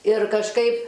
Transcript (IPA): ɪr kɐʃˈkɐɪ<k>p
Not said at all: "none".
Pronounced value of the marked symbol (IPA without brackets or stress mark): none